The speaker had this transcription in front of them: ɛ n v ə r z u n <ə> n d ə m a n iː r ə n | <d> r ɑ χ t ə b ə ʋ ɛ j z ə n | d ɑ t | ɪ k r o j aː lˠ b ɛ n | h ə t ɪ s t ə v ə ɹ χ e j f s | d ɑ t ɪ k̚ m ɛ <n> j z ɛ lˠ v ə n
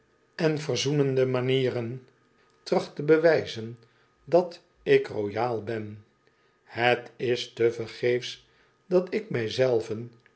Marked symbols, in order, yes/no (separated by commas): yes, no, no